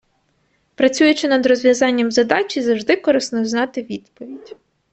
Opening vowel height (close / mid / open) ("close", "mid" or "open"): open